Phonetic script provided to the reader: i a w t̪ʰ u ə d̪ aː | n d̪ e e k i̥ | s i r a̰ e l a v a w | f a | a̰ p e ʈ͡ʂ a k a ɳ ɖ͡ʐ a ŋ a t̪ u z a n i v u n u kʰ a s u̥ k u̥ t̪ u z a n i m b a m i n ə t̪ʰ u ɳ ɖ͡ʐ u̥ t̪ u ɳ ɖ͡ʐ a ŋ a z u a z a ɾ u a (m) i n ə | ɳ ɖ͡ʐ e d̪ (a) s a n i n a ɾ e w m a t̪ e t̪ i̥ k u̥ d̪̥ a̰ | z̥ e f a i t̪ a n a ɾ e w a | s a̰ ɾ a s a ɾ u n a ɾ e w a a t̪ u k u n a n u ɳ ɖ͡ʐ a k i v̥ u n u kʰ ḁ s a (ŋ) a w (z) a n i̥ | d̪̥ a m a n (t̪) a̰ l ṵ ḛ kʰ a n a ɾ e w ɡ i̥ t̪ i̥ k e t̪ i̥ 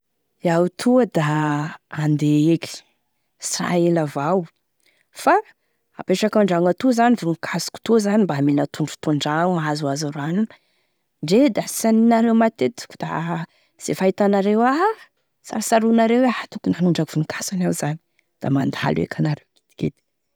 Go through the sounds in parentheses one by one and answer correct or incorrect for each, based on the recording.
incorrect, correct, incorrect, correct, incorrect

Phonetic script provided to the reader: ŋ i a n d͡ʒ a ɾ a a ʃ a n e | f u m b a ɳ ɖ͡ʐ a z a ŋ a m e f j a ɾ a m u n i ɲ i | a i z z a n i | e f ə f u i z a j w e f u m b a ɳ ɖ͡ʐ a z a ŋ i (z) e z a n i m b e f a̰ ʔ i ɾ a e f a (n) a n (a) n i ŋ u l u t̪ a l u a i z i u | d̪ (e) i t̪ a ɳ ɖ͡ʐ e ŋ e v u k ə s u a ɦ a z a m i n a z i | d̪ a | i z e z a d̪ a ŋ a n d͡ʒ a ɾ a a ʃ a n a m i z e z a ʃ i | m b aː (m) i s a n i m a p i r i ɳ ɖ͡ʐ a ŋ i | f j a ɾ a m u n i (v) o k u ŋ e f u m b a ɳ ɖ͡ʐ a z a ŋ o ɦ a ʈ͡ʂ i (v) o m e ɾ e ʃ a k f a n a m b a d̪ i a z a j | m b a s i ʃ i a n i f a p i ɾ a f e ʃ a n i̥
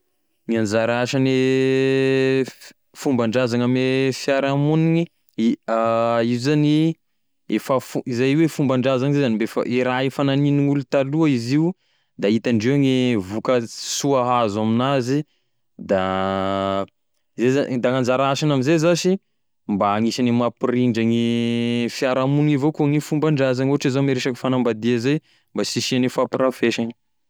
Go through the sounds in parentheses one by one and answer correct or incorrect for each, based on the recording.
correct, correct, incorrect, incorrect, incorrect, correct, incorrect

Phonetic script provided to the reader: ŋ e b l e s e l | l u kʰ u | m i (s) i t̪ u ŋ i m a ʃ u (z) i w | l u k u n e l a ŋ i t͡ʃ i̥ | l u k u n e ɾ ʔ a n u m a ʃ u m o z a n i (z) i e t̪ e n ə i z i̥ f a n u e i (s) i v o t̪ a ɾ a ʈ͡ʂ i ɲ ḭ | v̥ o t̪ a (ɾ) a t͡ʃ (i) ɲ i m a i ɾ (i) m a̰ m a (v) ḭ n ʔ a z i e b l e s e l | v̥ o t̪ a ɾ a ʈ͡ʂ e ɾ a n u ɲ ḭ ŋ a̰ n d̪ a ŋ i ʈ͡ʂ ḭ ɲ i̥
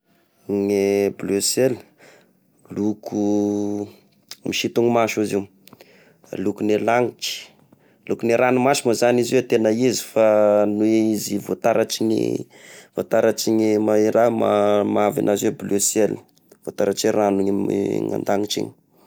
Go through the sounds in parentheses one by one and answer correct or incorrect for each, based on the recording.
incorrect, correct, correct, incorrect, correct, correct, incorrect, correct

